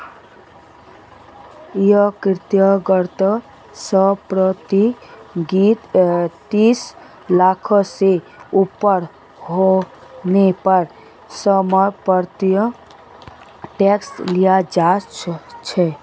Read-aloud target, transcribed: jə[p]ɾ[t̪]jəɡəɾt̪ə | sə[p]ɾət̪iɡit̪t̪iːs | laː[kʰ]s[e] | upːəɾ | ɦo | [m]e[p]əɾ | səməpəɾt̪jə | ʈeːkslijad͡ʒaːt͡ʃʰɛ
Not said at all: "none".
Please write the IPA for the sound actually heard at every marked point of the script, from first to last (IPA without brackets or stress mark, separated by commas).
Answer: k, t̪, p, kʰ, e, n, p